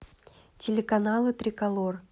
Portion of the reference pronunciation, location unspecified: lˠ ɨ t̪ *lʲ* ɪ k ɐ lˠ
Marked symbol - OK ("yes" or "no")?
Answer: no